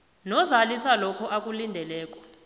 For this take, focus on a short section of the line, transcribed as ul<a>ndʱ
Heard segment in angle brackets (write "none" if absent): i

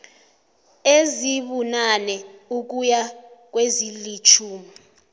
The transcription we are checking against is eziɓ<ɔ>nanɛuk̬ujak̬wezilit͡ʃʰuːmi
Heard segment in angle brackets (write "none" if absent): u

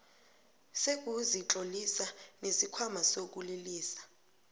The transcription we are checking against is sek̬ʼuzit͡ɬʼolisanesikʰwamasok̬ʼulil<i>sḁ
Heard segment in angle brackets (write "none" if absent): iː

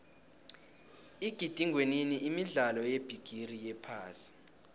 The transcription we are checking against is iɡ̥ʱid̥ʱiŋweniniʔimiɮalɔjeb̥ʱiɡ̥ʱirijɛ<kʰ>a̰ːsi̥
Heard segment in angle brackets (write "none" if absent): pʰ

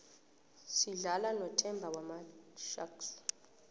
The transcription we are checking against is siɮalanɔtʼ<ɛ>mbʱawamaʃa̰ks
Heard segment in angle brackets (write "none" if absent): ɛ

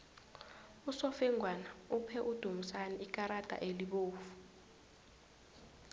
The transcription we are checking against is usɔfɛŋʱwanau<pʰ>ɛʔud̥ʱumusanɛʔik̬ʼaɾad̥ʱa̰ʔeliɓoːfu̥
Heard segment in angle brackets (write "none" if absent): pʰ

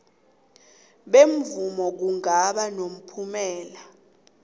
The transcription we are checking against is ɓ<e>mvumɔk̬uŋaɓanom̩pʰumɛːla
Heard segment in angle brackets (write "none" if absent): e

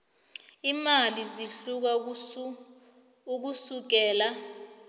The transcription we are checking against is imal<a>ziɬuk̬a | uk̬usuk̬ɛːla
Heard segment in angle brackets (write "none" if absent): i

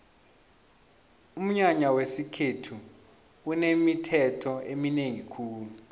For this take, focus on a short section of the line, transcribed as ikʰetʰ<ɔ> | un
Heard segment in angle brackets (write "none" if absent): u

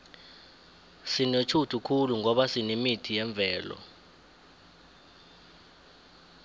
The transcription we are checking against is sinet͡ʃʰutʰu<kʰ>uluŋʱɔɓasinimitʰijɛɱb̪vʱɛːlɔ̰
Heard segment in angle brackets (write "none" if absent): kʰ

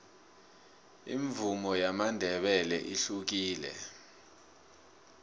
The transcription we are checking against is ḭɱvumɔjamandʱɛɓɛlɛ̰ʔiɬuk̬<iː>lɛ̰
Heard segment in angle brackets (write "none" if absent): iː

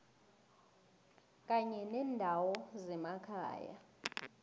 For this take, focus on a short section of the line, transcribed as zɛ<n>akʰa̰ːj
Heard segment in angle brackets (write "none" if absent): m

